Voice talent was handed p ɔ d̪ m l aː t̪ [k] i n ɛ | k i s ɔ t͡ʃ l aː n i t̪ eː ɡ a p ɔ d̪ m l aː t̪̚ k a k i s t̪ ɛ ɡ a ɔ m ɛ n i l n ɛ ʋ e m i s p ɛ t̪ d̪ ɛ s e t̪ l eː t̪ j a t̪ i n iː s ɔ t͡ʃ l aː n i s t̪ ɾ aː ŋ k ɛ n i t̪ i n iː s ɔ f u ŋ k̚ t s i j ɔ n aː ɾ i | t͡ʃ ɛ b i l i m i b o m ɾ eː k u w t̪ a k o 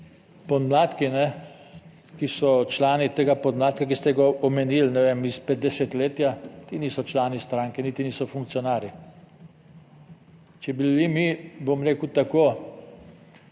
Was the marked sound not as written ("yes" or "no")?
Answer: no